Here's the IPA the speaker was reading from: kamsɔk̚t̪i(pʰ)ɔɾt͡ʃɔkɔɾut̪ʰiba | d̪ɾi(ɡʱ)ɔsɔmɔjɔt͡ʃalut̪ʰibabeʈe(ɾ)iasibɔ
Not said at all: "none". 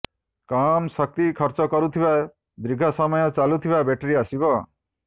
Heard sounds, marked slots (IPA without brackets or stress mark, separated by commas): kʰ, ɡʱ, ɾ